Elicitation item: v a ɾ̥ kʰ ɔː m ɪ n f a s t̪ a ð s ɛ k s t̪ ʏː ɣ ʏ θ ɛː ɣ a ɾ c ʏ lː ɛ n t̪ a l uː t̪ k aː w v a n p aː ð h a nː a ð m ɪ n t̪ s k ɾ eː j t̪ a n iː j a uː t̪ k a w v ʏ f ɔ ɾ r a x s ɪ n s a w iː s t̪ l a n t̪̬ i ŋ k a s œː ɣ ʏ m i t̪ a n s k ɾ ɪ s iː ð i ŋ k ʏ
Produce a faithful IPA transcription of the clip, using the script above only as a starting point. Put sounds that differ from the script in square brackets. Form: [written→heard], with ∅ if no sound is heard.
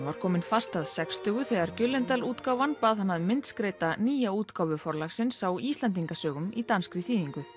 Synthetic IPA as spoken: v a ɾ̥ kʰ ɔː m ɪ n f a s t̪ a ð s ɛ k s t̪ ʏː ɣ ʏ θ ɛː ɣ a ɾ c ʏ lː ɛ n t̪ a l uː t̪ k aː w v a n p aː ð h a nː a ð m ɪ n t̪ s k ɾ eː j t̪ a n iː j a uː t̪ k a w v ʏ f ɔ ɾ [r→l] a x s ɪ n s a w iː s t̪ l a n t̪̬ i ŋ k a s œː ɣ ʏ m i t̪ a n s k ɾ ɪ [s→θ] iː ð i ŋ k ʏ